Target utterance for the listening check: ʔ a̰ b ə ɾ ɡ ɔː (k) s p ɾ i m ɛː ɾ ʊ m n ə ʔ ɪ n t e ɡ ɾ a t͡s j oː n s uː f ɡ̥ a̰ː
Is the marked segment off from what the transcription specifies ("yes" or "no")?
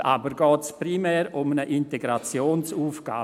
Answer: yes